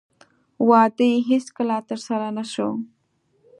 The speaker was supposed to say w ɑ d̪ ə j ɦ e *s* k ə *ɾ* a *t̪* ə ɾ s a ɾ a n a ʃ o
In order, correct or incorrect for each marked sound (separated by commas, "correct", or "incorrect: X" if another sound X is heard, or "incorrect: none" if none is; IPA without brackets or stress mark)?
correct, incorrect: l, correct